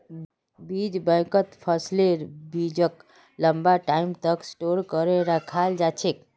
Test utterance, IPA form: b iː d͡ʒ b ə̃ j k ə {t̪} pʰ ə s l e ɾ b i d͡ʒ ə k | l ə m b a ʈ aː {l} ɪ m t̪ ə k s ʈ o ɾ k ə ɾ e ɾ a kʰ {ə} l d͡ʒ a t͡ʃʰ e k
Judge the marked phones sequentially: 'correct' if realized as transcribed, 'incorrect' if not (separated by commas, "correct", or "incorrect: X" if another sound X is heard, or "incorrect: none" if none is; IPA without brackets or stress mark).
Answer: correct, incorrect: none, incorrect: a